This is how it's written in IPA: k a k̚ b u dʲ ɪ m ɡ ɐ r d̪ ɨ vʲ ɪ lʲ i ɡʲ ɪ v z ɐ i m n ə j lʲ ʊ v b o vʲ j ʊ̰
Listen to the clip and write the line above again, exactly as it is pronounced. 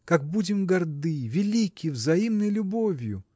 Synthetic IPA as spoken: k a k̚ b u dʲ ɪ m ɡ ɐ r d̪ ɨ vʲ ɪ lʲ i kʲ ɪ v z ɐ i m n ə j lʲ ʊ b o vʲ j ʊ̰